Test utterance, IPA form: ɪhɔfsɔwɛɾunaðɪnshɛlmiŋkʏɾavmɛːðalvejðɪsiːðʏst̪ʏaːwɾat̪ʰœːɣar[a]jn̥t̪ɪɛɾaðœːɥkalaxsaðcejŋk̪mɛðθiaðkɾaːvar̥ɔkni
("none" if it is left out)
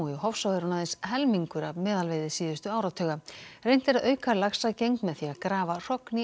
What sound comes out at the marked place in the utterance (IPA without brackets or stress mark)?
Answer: e